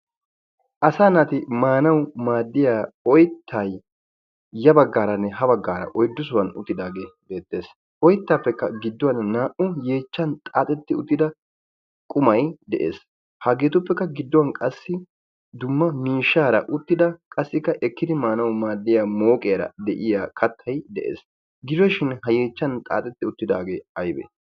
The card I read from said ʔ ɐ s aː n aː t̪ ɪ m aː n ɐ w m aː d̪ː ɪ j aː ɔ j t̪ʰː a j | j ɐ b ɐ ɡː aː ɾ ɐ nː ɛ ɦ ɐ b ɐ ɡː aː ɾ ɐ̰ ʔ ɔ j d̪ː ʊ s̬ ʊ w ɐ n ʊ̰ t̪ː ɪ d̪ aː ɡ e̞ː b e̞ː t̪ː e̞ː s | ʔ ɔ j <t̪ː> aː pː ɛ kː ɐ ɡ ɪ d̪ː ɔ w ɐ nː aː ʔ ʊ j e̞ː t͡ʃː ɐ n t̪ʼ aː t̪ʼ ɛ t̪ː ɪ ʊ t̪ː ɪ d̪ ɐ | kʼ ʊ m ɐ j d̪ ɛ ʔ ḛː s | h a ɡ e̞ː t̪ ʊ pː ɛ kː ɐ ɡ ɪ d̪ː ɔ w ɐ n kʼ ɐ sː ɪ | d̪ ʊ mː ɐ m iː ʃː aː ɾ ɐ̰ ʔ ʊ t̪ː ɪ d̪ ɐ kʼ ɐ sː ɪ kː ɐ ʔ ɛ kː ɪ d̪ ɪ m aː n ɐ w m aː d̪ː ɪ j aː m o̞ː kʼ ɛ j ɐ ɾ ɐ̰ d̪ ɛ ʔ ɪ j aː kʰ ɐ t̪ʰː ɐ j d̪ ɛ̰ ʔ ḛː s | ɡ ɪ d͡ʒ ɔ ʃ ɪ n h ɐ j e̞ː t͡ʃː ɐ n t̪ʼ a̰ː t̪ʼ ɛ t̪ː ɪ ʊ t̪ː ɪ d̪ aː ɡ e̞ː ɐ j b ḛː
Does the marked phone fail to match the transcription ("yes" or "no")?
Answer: no